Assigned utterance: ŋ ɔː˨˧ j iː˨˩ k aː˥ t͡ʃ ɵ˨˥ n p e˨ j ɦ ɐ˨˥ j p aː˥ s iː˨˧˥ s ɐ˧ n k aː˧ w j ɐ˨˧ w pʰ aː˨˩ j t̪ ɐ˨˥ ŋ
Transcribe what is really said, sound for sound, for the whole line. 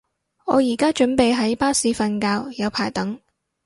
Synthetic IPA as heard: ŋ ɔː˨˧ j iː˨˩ k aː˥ t͡ʃ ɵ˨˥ n p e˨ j ɦ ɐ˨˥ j p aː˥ s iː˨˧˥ f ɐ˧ n k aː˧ w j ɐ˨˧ w pʰ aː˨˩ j t̪ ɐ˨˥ ŋ